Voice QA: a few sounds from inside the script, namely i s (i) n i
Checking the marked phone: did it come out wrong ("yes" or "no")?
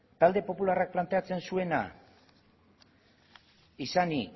yes